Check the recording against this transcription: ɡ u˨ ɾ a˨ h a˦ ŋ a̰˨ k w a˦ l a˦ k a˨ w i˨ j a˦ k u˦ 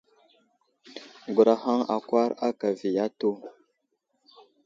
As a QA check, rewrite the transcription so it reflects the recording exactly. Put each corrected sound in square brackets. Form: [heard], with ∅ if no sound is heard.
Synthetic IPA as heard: ɡ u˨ ɾ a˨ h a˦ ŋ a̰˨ k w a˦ [ɾ] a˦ k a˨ [v] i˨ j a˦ [t] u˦